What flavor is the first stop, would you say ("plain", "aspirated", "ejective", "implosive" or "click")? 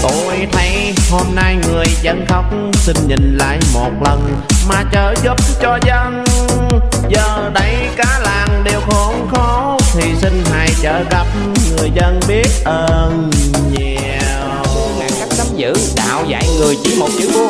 plain